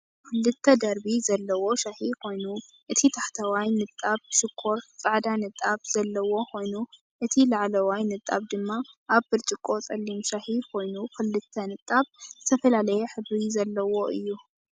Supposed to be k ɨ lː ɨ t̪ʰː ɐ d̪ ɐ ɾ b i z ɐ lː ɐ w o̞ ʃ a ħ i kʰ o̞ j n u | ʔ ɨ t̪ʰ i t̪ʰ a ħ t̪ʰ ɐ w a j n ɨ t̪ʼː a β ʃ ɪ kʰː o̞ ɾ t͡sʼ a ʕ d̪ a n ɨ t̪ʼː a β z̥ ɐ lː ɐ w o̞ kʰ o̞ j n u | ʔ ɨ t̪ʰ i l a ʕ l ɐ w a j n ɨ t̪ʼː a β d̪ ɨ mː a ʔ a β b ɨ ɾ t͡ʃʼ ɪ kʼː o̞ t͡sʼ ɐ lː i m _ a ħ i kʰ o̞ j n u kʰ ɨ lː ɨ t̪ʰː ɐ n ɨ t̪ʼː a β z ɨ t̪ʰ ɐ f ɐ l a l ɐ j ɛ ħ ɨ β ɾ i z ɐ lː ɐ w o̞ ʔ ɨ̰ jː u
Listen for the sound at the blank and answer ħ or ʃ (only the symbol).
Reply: ʃ